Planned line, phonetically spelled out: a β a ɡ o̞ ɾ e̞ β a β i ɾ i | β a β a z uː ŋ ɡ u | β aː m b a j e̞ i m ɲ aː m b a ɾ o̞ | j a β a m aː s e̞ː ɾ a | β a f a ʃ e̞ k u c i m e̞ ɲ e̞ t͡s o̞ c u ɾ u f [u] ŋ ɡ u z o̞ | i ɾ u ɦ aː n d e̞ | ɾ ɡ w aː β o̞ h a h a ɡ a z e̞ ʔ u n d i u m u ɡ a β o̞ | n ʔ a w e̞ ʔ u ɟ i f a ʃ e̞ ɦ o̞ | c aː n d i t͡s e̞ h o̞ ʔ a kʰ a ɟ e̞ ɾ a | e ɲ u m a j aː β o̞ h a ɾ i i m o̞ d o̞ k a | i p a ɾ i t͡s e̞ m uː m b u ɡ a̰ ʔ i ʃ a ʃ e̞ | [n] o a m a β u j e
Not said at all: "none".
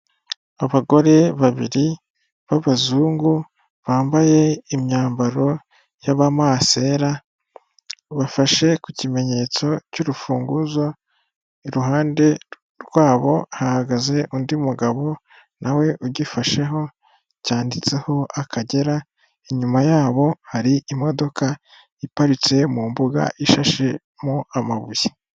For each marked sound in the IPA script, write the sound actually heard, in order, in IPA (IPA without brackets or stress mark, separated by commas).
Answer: uː, m